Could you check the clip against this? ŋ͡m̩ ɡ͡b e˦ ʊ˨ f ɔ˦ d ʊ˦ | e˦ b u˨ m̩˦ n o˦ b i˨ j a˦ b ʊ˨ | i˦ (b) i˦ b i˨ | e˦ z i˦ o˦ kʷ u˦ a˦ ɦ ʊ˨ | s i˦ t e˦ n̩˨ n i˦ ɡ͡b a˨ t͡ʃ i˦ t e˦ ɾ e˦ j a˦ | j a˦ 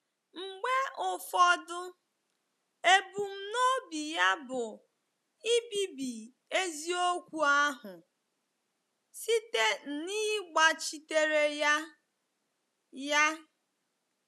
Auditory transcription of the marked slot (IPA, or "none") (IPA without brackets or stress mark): b